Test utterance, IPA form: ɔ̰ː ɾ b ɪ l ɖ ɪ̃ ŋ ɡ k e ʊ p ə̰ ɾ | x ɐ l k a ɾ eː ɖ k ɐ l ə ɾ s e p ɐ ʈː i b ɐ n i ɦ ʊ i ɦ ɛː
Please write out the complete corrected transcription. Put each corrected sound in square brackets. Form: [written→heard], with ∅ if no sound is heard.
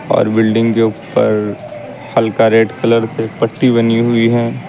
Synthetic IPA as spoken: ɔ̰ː ɾ b ɪ l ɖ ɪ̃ ŋ ɡ k e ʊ p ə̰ ɾ | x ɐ l k a ɾ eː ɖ k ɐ l ə ɾ s e p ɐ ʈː i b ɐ n i ɦ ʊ i ɦ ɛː